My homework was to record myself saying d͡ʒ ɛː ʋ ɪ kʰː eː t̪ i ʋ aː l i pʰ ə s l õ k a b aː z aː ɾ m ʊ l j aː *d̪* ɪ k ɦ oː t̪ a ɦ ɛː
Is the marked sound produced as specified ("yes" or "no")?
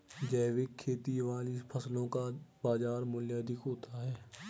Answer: yes